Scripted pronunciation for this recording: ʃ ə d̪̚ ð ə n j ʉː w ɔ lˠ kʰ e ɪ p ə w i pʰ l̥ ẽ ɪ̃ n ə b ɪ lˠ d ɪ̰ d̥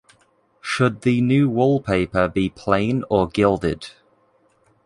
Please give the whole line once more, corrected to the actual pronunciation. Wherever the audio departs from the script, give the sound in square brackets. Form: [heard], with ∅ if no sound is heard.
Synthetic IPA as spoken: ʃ ə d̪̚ ð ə n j ʉː w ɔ lˠ [pʰ] e ɪ p ə [b] i pʰ l̥ ẽ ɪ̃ n ə [ɡ] ɪ lˠ d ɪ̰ d̥